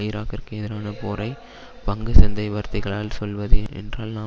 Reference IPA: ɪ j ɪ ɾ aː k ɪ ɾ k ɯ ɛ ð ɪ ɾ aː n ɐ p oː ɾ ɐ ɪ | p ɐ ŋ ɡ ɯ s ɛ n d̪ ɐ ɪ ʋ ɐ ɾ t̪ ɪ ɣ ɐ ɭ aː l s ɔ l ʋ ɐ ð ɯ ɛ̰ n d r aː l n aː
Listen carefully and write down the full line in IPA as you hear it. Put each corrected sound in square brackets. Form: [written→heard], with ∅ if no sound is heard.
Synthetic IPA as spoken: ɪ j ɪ ɾ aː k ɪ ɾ k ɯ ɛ ð ɪ ɾ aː n ɐ p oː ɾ ɐ ɪ | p ɐ ŋ ɡ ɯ s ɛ n d̪ ɐ ɪ ʋ ɐ ɾ t̪ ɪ ɣ ɐ ɭ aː l s ɔ l ʋ ɐ ð ɯ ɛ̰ n d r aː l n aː

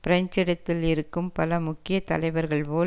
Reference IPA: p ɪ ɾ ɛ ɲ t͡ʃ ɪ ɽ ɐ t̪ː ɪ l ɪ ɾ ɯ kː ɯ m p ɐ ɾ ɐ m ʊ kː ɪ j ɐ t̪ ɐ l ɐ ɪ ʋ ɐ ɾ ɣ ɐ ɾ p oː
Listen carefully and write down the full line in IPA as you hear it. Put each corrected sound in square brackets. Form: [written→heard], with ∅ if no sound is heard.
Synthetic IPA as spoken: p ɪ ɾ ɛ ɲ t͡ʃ ɪ ɽ ɐ t̪ː ɪ l ɪ ɾ ɯ kː ɯ m p ɐ [ɾ→l] ɐ m ʊ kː ɪ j ɐ t̪ ɐ l ɐ ɪ ʋ ɐ ɾ ɣ ɐ [ɾ→ɭ] p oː

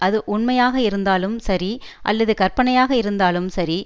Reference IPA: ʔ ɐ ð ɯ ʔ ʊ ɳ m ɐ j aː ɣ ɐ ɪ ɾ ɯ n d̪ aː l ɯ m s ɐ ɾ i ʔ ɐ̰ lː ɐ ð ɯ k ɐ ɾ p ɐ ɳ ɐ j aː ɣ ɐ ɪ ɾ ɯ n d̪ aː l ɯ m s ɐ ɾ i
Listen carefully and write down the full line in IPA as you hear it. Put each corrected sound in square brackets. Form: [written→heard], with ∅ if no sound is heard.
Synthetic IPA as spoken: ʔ ɐ ð ɯ ʔ ʊ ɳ m ɐ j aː ɣ ɐ ɪ ɾ ɯ n d̪ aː l ɯ m s ɐ ɾ i ʔ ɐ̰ lː ɐ ð ɯ k ɐ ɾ p ɐ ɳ ɐ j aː ɣ ɐ ɪ ɾ ɯ n d̪ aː l ɯ m s ɐ ɾ i

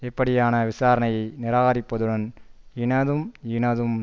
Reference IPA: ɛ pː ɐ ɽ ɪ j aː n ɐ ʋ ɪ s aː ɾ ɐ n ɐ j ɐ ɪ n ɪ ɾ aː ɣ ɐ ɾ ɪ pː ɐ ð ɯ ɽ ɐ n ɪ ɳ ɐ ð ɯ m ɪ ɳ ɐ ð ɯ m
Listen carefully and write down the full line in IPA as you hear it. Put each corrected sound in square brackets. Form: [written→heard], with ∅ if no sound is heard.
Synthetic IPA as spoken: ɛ pː ɐ ɽ ɪ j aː n ɐ ʋ ɪ s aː ɾ ɐ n ɐ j ɐ ɪ n ɪ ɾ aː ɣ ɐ ɾ ɪ pː ɐ ð ɯ ɽ ɐ n ɪ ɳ ɐ ð ɯ m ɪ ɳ ɐ ð ɯ m

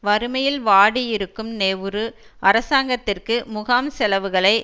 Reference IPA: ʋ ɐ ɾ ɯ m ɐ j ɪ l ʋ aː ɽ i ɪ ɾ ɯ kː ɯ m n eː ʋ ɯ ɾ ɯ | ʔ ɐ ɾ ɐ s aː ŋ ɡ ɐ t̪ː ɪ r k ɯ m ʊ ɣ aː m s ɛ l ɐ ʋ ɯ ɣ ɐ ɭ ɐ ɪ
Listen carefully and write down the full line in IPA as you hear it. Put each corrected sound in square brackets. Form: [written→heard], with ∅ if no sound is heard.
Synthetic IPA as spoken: ʋ ɐ ɾ ɯ m ɐ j ɪ l ʋ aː ɽ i ɪ ɾ ɯ kː ɯ m n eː ʋ ɯ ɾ ɯ | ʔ ɐ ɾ ɐ s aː ŋ ɡ ɐ t̪ː ɪ r k ɯ m ʊ ɣ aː m s ɛ l ɐ ʋ ɯ ɣ ɐ ɭ ɐ ɪ

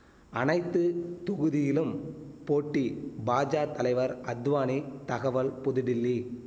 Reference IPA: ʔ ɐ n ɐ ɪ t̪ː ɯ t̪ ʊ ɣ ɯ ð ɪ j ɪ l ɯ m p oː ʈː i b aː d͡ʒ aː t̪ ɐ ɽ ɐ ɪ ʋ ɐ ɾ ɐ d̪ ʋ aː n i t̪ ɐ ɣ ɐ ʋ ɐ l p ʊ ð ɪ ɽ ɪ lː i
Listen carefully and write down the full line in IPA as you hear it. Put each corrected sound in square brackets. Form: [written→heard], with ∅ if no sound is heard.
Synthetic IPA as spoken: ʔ ɐ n ɐ ɪ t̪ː ɯ t̪ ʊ ɣ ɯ ð ɪ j ɪ l ɯ m p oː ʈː i b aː d͡ʒ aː t̪ ɐ [ɽ→l] ɐ ɪ ʋ ɐ ɾ ɐ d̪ ʋ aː n i t̪ ɐ ɣ ɐ ʋ ɐ l p ʊ ð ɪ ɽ ɪ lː i

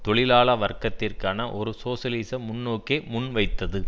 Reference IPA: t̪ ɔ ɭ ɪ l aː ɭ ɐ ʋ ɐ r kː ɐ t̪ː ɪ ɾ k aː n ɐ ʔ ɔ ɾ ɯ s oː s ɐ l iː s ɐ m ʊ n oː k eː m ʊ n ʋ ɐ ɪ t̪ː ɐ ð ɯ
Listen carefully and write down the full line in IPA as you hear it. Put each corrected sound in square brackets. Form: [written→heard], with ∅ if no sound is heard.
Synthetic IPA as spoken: t̪ ɔ ɭ ɪ l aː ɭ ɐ ʋ ɐ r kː ɐ t̪ː ɪ [ɾ→r] k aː n ɐ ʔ ɔ ɾ ɯ s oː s ɐ l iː s ɐ m ʊ [n→nː] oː k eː m ʊ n ʋ ɐ ɪ t̪ː ɐ ð ɯ

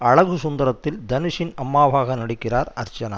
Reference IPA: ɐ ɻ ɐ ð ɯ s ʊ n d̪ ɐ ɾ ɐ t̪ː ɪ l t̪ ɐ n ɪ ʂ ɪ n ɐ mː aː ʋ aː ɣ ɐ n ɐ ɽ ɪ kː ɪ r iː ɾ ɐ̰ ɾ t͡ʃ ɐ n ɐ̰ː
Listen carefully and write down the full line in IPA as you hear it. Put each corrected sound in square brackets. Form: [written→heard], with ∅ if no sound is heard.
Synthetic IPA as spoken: ɐ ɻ ɐ [ð→ɣ] ɯ s ʊ n d̪ ɐ ɾ ɐ t̪ː ɪ l [t̪→d̪] ɐ n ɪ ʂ ɪ n ɐ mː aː ʋ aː ɣ ɐ n ɐ ɽ ɪ kː ɪ r [iː→aː] ɾ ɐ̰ ɾ t͡ʃ ɐ n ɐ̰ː

